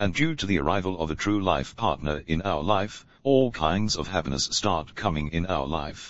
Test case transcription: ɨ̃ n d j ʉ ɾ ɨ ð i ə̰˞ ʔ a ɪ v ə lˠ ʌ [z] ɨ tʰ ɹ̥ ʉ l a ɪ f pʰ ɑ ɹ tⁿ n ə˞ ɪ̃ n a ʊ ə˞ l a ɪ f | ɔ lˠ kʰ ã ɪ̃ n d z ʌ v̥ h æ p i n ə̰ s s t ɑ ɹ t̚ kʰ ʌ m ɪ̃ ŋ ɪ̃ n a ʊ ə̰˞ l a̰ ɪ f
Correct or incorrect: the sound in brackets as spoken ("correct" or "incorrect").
incorrect